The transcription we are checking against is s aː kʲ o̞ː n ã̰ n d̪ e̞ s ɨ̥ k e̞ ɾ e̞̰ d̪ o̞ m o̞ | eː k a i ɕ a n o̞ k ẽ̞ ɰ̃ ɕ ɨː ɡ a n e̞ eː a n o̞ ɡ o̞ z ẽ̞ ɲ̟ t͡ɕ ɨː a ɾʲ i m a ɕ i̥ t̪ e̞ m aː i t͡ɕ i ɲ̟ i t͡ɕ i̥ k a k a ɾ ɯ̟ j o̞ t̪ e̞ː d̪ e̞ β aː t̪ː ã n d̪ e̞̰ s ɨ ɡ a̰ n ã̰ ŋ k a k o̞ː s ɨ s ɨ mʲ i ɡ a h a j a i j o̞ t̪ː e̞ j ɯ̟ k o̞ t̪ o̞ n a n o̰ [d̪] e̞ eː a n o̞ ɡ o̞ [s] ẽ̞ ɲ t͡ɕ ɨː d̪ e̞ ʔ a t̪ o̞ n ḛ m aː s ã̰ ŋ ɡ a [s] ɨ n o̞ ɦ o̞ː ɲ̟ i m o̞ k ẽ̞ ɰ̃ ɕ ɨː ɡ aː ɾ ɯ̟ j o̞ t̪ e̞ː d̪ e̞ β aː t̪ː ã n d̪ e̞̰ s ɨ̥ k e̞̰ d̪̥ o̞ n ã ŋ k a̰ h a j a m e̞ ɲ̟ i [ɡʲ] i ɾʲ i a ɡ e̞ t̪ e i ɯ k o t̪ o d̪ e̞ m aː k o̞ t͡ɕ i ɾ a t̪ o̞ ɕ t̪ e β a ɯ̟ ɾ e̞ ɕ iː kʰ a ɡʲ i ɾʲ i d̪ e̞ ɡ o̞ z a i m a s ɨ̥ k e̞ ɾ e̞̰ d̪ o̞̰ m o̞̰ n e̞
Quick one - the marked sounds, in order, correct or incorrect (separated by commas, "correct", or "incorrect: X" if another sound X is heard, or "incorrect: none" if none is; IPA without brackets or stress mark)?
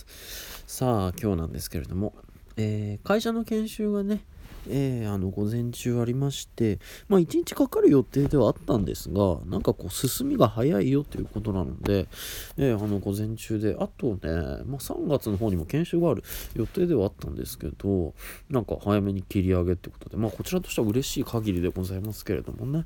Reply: correct, incorrect: z, incorrect: t͡s, incorrect: kʲ